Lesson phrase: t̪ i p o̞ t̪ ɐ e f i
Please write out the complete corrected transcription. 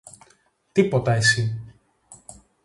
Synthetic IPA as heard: t̪ i p o̞ t̪ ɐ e s i